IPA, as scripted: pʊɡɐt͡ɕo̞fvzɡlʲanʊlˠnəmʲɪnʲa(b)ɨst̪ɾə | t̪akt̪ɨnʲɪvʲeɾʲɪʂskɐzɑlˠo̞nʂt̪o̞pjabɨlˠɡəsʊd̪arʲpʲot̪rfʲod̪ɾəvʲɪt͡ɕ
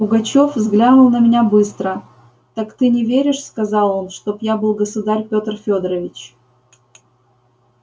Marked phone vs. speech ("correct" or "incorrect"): correct